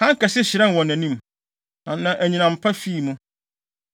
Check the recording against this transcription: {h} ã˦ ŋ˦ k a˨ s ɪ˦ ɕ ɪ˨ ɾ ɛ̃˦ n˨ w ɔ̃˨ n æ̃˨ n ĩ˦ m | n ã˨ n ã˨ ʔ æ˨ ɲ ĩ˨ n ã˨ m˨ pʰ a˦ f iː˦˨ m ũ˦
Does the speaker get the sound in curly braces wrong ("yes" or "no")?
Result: no